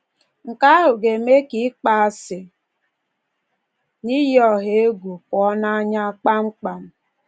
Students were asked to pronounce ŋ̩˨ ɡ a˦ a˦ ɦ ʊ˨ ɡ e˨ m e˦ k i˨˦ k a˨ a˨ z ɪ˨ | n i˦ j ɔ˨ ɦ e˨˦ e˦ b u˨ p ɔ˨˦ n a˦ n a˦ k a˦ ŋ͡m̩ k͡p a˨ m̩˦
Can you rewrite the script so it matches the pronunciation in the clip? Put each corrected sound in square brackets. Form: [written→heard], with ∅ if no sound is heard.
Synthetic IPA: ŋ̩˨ [ɡ→k] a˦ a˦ ɦ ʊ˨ ɡ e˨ m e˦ k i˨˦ [k→k͡p] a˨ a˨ [z→s] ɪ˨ | n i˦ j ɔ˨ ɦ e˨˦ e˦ [b→ɡ] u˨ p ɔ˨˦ n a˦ [n→ɲ] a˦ [k→k͡p] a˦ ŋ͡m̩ k͡p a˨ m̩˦